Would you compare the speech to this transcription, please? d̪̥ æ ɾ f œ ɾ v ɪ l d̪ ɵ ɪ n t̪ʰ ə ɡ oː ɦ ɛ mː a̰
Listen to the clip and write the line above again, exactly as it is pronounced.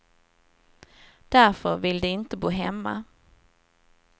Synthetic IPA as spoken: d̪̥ æ ɾ f œ ɾ v ɪ l d̪ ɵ ɪ n t̪ ə b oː ɦ ɛ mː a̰